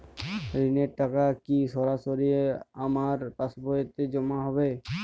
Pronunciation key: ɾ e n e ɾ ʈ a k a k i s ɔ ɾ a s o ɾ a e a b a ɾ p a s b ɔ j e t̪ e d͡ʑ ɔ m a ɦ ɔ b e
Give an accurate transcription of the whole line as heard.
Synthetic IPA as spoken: ɾ i n e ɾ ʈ a k a k i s ɔ ɾ a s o ɾ i e a m a ɾ p a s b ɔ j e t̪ e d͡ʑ ɔ m a ɦ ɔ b e

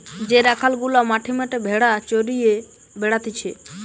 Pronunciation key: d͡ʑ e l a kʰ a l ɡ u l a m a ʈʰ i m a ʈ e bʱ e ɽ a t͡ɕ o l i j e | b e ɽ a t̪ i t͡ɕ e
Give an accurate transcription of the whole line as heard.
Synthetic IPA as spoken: d͡ʑ e ɾ a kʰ a l ɡ u l a m a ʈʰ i m a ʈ e bʱ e ɽ a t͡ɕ o ɾ i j e | b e ɽ a t̪ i t͡ɕʰ e

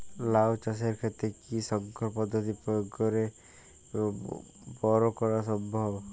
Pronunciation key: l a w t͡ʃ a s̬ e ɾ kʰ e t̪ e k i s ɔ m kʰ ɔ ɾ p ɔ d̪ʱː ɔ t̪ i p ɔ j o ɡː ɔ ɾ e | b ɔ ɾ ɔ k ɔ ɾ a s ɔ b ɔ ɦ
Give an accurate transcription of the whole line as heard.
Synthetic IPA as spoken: l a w t͡ʃ a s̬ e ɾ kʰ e t̪ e k i s ɔ ŋ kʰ ɔ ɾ p ɔ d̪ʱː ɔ t̪ i p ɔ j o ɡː ɔ ɾ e | b ɔ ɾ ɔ k ɔ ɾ a s ɔ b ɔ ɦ

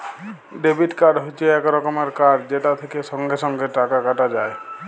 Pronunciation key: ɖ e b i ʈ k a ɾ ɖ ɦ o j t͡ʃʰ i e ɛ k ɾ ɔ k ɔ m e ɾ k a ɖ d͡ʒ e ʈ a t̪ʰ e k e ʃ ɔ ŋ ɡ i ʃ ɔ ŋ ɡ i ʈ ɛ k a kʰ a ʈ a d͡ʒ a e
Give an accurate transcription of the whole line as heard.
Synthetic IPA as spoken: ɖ e b i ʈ k a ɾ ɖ ɦ o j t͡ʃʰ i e ɛ k ɾ ɔ k ɔ m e ɾ k a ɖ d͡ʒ e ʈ a t̪ʰ e k e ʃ ɔ ŋ ɡ e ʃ ɔ ŋ ɡ e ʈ a k a k a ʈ a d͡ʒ a e

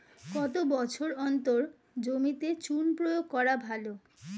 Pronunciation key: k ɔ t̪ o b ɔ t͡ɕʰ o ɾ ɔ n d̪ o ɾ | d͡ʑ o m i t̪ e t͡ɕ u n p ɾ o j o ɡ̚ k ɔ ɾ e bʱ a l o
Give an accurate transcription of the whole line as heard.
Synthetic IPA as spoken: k ɔ t̪ o b ɔ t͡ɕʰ o ɾ ɔ n t̪ o ɾ | d͡ʑ o m i t̪ e t͡ɕ u n p ɾ o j o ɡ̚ k ɔ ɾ a bʱ a l o

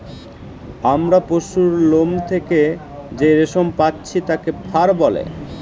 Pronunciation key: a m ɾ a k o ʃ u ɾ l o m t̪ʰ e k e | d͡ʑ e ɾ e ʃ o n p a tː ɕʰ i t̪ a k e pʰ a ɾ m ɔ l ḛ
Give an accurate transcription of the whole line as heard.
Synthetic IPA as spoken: a m ɾ a p o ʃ u ɾ l o m t̪ʰ e k e | d͡ʑ e ɾ e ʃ o m p a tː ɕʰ i t̪ a k e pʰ a ɾ b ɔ l ḛ

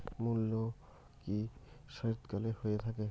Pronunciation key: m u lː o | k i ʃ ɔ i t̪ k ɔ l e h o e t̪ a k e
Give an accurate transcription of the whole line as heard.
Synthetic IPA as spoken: m u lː o | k i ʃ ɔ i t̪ k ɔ l e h o e t̪ʰ a k e

